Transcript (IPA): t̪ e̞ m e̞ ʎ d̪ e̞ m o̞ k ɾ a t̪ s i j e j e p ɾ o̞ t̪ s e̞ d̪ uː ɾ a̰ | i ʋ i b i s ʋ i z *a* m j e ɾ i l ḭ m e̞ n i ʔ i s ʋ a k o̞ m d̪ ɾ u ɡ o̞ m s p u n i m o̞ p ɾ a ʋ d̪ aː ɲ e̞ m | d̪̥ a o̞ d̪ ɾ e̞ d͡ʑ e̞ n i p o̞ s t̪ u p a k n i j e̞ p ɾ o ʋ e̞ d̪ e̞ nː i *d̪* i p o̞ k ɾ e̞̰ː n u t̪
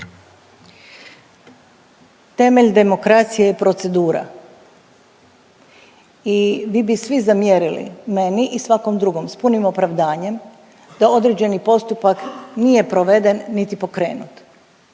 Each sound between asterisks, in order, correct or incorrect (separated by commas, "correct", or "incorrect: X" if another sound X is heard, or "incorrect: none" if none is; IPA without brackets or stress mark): correct, incorrect: t̪